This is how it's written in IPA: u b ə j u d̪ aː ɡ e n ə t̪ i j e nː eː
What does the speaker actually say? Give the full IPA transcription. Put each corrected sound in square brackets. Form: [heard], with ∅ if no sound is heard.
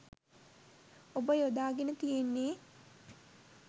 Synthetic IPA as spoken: [o] b ə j [o] d̪ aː ɡ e n ə t̪ i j e nː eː